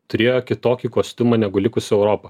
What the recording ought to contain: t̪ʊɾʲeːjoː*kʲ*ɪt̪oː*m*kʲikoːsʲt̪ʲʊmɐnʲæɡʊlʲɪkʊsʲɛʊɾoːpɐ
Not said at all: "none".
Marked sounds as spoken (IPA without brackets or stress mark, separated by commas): kʲ, none